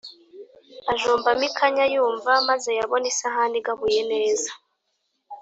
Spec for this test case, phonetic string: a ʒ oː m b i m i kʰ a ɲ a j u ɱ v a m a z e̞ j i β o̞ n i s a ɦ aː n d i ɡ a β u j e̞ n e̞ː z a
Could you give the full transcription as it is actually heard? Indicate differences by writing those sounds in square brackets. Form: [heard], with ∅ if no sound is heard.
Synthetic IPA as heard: a ʒ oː m b [a] m i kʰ a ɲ a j [uː] ɱ v a m a z e̞ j [a] β o̞ n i s a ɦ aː n d i ɡ a β u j e̞ n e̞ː z a